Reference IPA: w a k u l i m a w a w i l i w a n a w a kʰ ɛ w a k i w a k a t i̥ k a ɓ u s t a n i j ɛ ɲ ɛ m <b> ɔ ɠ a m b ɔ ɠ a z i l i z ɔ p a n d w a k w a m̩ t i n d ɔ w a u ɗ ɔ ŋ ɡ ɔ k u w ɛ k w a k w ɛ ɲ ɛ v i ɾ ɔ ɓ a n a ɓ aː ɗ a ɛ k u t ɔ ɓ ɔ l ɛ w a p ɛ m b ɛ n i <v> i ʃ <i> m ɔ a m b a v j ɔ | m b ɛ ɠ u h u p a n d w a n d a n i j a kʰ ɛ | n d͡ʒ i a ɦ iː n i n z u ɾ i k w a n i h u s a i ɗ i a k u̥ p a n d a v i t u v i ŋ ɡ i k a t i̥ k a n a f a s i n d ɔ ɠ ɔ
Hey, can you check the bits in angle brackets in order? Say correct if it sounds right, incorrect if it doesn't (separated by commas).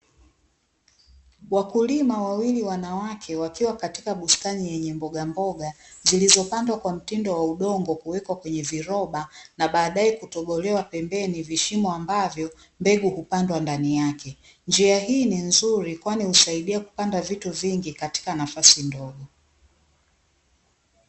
correct, correct, correct